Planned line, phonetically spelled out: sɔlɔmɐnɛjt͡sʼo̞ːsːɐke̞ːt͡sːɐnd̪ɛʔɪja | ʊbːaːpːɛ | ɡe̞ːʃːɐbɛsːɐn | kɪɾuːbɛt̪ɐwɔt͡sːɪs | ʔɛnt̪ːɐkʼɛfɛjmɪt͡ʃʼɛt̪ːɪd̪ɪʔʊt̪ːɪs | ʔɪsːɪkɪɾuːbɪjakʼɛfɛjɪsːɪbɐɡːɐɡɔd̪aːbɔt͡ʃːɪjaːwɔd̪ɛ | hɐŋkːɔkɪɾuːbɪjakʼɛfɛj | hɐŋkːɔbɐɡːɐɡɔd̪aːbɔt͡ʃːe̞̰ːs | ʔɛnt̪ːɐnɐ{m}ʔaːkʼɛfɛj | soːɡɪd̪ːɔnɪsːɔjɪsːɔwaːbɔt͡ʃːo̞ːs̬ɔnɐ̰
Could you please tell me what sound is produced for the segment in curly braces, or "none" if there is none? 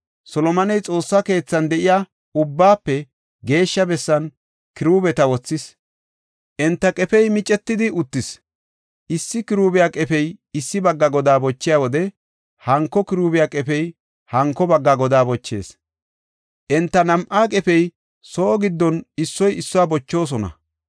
m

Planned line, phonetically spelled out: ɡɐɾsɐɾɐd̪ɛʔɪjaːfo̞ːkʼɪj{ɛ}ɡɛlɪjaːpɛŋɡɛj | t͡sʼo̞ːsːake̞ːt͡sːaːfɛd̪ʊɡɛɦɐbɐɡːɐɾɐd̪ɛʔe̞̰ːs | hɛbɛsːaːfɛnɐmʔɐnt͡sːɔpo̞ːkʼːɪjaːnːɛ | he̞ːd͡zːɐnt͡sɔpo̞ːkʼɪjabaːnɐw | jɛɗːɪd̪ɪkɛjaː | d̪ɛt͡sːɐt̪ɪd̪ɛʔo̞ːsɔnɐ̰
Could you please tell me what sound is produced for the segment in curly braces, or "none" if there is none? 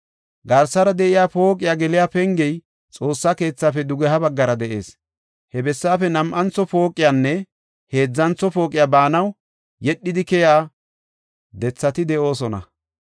a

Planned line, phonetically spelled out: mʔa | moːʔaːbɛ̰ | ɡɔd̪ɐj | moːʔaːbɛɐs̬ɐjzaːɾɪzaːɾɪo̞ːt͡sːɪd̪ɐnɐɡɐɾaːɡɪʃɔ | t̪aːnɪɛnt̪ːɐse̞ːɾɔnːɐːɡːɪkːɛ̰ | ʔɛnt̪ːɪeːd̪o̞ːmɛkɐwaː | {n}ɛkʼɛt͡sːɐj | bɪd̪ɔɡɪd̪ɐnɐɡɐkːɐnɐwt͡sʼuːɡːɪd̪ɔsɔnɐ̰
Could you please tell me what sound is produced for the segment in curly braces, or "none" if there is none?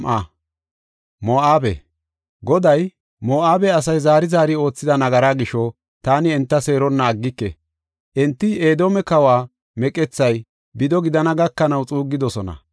m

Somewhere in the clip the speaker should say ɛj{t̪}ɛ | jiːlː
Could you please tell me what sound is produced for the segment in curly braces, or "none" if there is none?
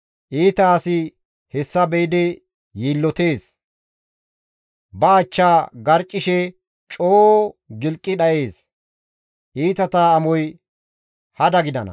d̪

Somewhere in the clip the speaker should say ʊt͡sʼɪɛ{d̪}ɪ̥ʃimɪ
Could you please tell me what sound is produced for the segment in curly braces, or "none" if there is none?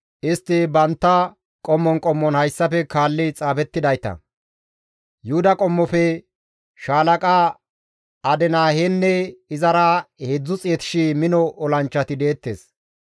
t̪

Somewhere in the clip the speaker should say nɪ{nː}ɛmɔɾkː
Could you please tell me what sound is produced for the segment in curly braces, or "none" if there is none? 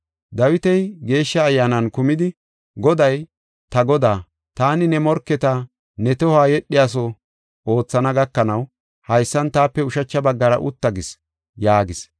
n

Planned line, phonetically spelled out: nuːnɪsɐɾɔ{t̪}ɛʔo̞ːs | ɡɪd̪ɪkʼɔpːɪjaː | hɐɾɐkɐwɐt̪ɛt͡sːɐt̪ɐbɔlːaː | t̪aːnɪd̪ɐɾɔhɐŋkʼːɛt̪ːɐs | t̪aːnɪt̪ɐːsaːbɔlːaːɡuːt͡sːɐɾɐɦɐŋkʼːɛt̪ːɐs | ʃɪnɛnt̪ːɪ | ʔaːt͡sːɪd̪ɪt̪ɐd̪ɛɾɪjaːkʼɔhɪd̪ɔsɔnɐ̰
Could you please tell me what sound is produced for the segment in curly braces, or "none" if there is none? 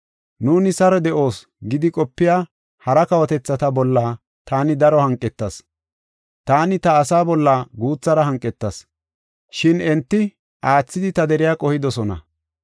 d̪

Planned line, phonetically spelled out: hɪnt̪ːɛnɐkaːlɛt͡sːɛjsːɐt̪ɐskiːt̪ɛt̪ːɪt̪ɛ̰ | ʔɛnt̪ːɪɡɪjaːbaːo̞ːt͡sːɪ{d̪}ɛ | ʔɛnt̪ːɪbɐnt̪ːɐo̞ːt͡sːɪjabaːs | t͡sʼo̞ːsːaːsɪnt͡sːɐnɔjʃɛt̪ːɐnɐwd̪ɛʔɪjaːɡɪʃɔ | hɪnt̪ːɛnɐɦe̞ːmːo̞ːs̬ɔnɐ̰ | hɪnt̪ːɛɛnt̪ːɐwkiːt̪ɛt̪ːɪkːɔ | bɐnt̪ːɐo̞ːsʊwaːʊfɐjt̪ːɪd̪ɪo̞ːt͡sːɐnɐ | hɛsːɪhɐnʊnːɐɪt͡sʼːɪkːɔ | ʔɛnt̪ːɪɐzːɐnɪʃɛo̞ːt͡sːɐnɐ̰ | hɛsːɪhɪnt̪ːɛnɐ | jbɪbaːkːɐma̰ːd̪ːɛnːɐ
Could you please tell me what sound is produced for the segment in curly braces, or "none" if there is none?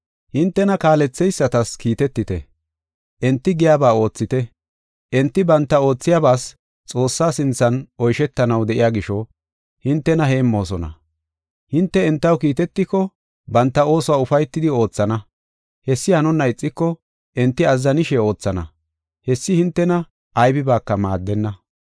t̪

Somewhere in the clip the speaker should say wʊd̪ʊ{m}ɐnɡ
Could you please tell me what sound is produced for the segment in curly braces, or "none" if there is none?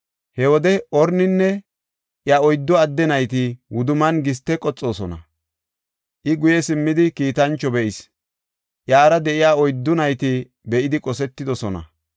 m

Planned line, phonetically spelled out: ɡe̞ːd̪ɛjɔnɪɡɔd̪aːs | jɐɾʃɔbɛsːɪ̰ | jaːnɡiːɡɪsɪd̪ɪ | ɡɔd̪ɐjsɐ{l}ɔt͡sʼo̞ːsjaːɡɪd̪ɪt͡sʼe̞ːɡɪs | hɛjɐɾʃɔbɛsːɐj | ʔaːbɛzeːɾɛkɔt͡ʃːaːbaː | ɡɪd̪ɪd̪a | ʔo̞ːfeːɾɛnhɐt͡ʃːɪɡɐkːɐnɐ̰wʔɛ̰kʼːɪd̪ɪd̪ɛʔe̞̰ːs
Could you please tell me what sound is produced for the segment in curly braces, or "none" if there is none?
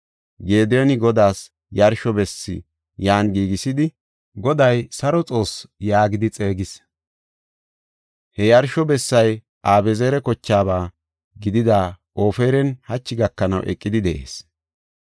ɾ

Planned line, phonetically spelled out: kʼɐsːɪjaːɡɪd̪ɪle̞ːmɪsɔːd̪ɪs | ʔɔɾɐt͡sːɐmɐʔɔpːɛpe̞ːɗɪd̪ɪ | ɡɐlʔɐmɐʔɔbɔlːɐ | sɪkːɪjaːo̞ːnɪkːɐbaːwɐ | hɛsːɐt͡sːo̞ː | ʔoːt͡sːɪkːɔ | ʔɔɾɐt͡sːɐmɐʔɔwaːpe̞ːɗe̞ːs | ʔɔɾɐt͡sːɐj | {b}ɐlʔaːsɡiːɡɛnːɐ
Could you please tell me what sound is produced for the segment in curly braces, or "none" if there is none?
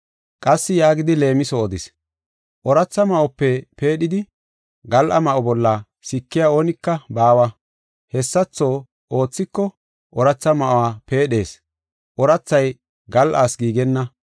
ɡ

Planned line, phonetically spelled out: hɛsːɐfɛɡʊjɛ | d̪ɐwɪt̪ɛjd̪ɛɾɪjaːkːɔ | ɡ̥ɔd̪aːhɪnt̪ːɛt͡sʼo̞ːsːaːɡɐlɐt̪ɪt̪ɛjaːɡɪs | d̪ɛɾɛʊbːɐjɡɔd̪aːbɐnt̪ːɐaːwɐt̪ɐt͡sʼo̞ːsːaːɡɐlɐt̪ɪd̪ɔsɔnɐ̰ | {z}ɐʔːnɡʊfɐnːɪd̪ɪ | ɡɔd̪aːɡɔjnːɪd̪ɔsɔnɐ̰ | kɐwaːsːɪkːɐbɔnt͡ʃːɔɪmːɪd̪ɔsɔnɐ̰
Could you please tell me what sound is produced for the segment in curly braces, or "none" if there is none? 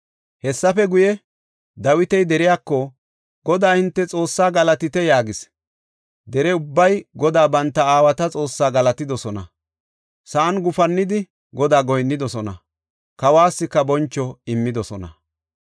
s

